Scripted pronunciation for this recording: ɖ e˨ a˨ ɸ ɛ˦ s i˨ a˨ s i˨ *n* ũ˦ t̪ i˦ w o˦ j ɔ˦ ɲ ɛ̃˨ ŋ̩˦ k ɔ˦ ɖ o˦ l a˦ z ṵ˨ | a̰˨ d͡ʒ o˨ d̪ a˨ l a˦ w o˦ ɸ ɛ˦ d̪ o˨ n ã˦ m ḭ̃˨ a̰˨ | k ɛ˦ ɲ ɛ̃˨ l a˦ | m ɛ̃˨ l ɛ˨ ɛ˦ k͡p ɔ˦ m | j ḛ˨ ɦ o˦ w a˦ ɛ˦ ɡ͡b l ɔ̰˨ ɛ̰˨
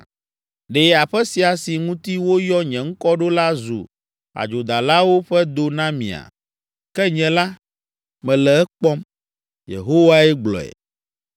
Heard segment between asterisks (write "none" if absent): ŋ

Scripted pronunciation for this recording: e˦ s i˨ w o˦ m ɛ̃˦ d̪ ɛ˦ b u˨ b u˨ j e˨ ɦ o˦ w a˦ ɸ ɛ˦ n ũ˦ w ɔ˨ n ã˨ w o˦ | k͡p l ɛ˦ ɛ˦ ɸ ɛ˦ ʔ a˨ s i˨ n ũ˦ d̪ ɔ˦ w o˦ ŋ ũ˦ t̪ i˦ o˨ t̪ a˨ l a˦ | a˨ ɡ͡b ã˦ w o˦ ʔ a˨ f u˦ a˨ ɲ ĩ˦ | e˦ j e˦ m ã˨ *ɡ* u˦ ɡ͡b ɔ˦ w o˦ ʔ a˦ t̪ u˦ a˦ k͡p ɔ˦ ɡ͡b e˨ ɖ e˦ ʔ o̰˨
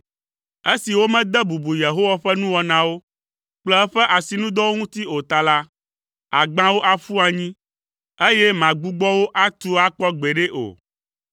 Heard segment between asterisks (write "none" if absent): ɡ͡b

